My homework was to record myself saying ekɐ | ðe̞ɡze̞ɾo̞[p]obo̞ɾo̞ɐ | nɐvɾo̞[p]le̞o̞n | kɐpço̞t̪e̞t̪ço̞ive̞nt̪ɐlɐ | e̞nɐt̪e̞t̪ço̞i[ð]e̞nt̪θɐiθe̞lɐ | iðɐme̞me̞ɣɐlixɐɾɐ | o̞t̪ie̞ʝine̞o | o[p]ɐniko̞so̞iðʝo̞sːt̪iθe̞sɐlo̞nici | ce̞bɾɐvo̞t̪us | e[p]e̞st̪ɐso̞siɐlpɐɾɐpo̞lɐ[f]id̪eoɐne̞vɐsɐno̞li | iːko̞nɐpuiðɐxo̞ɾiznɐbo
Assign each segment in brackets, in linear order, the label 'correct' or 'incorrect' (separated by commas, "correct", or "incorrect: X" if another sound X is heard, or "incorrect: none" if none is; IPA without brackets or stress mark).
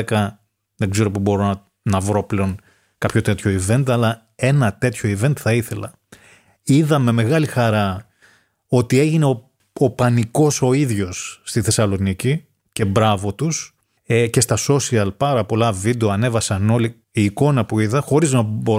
correct, correct, incorrect: v, correct, incorrect: c, incorrect: v